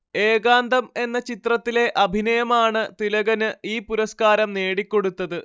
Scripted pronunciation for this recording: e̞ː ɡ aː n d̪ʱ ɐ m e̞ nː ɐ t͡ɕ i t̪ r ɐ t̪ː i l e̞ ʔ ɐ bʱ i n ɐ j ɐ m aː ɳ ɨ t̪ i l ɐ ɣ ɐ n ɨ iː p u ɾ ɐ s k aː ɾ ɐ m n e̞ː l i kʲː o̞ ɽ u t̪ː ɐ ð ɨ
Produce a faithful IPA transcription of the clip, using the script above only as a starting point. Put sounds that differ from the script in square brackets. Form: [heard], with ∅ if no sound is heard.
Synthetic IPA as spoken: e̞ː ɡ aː n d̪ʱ ɐ m e̞ nː ɐ t͡ɕ i t̪ r ɐ t̪ː i l e̞ ʔ ɐ bʱ i n ɐ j ɐ m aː ɳ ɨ t̪ i l ɐ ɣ ɐ n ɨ iː p u ɾ ɐ s k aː ɾ ɐ m n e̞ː [ɽ] i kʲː o̞ ɽ u t̪ː ɐ ð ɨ

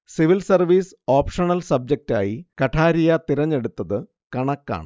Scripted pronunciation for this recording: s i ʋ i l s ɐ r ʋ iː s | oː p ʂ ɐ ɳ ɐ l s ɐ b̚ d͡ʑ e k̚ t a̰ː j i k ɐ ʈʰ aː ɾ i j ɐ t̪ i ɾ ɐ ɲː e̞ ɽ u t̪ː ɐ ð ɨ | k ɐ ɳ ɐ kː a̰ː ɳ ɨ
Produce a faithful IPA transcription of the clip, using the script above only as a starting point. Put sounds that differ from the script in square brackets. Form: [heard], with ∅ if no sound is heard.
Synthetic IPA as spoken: s i ʋ i l s ɐ r ʋ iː s | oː p ʂ ɐ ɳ ɐ l s ɐ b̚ d͡ʑ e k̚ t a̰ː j i k ɐ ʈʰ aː ɾ i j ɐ t̪ i ɾ ɐ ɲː e̞ ɽ u t̪ː ɐ ð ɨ | k ɐ ɳ ɐ kː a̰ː ɳ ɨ

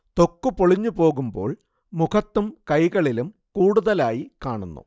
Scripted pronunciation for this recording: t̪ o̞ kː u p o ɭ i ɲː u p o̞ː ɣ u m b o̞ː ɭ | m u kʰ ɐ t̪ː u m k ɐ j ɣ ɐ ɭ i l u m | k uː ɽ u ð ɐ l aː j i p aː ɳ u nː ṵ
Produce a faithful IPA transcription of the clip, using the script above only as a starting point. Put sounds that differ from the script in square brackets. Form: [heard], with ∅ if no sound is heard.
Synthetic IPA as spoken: t̪ o̞ kː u p o ɭ i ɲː u p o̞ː ɣ u m b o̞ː ɭ | m u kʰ ɐ t̪ː u m k ɐ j ɣ ɐ ɭ i l u m | k uː ɽ u ð ɐ l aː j i [k] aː ɳ u nː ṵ

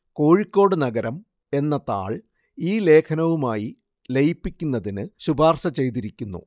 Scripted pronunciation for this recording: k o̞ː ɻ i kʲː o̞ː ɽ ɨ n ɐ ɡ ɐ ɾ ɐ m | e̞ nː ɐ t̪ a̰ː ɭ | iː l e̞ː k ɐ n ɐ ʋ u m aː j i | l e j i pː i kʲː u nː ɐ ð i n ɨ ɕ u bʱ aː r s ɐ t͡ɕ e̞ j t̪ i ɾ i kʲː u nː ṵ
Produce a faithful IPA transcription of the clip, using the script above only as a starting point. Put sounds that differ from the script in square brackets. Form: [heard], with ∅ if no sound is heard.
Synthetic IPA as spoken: k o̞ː ɻ i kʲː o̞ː ɽ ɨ n ɐ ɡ ɐ ɾ ɐ m | e̞ nː ɐ t̪ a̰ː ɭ | iː l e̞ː [kʰ] ɐ n ɐ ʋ u m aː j i | l e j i pː i kʲː u nː ɐ ð i n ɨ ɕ u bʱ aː r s ɐ t͡ɕ e̞ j t̪ i ɾ i kʲː u nː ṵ

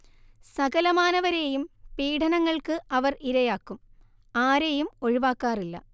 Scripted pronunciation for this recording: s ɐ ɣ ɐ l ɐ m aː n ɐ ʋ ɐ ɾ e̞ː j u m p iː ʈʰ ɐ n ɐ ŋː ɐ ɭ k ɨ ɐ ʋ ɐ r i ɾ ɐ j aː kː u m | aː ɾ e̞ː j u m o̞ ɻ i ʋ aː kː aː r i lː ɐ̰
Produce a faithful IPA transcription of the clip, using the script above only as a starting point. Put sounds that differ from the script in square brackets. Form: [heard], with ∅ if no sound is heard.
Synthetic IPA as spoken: s ɐ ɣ ɐ l ɐ m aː n ɐ ʋ ɐ ɾ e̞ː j u m p iː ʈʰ ɐ n ɐ ŋː ɐ ɭ k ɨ ɐ ʋ ɐ r i ɾ ɐ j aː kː u m | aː ɾ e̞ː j u m o̞ ɻ i ʋ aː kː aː r i lː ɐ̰

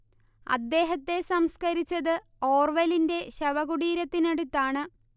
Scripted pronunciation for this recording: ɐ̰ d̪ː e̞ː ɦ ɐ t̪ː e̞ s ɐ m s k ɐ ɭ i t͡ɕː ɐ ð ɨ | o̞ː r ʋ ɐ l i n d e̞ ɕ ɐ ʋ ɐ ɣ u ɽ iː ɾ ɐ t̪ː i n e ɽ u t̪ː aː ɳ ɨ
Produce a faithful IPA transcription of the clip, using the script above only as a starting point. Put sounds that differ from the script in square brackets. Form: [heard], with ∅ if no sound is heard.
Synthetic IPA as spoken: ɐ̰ d̪ː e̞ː ɦ ɐ t̪ː e̞ s ɐ m s k ɐ [ɾ] i t͡ɕː ɐ ð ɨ | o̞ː r ʋ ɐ l i n d e̞ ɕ ɐ ʋ ɐ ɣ u ɽ iː ɾ ɐ t̪ː i n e ɽ u t̪ː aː ɳ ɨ

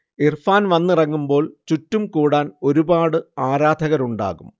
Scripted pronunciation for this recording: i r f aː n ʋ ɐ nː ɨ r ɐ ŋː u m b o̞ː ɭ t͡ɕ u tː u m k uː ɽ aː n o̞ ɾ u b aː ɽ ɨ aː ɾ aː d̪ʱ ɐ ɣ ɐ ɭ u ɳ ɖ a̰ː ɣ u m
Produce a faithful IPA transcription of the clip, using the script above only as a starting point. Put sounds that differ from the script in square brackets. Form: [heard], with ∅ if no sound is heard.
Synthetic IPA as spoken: i r f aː n ʋ ɐ nː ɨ r ɐ ŋː u m b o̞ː ɭ t͡ɕ u tː u m k uː ɽ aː n o̞ ɾ u b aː ɽ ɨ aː ɾ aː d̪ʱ ɐ ɣ ɐ [ɾ] u ɳ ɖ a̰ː ɣ u m

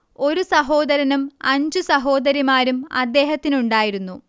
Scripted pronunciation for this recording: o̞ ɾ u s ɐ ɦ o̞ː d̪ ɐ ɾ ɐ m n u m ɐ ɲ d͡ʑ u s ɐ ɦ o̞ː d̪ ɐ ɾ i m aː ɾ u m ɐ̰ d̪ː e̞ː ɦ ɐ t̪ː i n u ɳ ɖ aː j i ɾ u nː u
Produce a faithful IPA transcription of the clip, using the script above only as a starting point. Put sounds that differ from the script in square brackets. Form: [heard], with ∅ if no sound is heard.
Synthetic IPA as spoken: o̞ ɾ u s ɐ ɦ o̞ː d̪ ɐ ɾ ɐ [∅] n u m ɐ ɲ d͡ʑ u s ɐ ɦ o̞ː d̪ ɐ ɾ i m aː ɾ u m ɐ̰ d̪ː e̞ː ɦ ɐ t̪ː i n u ɳ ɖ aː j i ɾ u nː u

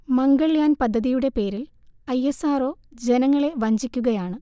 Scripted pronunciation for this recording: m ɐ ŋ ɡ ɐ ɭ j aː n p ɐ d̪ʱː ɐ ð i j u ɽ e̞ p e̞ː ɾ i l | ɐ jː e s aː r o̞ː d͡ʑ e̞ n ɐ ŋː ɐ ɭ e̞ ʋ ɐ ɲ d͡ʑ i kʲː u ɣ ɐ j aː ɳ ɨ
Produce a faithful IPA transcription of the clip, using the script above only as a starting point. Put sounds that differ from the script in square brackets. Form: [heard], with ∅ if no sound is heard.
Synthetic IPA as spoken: m ɐ ŋ ɡ ɐ ɭ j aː n p ɐ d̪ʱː ɐ ð i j u ɽ e̞ p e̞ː ɾ i l | ɐ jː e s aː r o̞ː d͡ʑ e̞ n ɐ ŋː ɐ ɭ e̞ ʋ ɐ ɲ d͡ʑ i kʲː u ɣ ɐ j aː ɳ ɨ

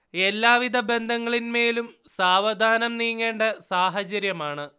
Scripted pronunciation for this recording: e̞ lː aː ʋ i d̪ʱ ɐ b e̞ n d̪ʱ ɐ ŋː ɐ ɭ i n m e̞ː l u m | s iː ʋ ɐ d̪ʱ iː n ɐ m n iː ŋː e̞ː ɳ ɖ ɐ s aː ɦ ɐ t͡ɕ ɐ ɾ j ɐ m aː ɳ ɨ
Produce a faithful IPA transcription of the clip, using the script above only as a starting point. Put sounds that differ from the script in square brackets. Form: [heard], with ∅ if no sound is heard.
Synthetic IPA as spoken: e̞ lː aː ʋ i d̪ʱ ɐ b e̞ n d̪ʱ ɐ ŋː ɐ ɭ i n m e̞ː l u m | s [aː] ʋ ɐ d̪ʱ [aː] n ɐ m n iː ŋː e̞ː ɳ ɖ ɐ s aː ɦ ɐ t͡ɕ ɐ ɾ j ɐ m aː ɳ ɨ

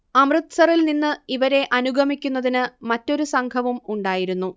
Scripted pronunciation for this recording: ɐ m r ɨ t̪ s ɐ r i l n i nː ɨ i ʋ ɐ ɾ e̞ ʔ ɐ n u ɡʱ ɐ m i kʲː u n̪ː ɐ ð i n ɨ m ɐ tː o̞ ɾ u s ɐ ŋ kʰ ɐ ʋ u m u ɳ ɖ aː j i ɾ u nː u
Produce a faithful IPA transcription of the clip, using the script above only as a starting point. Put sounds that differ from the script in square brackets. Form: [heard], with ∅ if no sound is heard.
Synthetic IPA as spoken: ɐ m r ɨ t̪ s ɐ r i l n i nː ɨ i ʋ ɐ ɾ e̞ ʔ ɐ n u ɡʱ ɐ m i kʲː u n̪ː ɐ ð i n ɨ m ɐ tː o̞ ɾ u s ɐ ŋ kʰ ɐ ʋ u m u ɳ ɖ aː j i ɾ u nː u

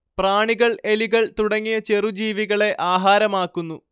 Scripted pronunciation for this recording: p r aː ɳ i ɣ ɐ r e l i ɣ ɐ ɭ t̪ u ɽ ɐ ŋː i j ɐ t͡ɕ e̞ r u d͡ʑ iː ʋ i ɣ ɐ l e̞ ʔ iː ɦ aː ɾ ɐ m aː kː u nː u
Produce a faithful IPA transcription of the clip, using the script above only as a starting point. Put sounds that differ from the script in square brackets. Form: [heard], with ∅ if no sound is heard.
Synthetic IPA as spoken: p r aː ɳ i ɣ ɐ [ɭ] e l i ɣ ɐ ɭ t̪ u ɽ ɐ ŋː i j ɐ t͡ɕ e̞ r u d͡ʑ iː ʋ i ɣ ɐ [ɭ] e̞ ʔ [aː] ɦ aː ɾ ɐ m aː kː u nː u

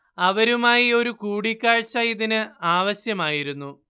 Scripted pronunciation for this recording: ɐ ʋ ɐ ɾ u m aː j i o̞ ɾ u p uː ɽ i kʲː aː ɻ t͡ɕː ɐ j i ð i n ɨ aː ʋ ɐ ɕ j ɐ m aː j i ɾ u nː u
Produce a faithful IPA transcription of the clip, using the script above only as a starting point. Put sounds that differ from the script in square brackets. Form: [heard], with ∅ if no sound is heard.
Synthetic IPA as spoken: ɐ ʋ ɐ ɾ u m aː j i o̞ ɾ u [k] uː ɽ i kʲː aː ɻ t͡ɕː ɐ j i ð i n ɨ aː ʋ ɐ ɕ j ɐ m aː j i ɾ u nː u

